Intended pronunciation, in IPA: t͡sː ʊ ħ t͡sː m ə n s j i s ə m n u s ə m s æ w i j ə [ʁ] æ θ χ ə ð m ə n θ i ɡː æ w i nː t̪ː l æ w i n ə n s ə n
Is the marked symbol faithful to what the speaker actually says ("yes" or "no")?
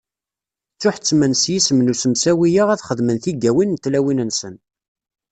yes